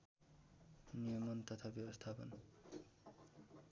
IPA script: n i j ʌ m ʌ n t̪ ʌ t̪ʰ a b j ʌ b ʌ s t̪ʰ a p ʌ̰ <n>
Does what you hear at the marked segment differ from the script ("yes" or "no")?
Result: no